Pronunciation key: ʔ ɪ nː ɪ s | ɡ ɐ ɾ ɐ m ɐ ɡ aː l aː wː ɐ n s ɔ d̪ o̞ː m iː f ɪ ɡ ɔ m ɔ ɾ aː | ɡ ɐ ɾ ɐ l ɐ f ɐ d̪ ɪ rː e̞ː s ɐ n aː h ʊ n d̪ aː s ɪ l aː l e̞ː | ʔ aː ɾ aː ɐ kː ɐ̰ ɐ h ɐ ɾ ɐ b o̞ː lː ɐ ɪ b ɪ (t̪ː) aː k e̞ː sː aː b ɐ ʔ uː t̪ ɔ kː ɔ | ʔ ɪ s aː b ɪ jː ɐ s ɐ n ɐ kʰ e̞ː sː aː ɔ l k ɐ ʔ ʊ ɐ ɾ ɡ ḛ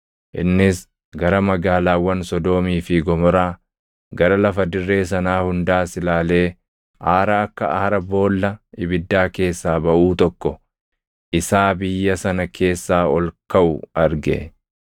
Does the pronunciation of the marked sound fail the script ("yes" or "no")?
yes